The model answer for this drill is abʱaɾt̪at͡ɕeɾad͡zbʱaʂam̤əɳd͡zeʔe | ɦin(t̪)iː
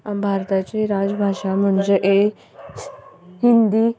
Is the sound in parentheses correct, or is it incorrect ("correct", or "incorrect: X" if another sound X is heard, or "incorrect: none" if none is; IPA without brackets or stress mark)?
incorrect: d̪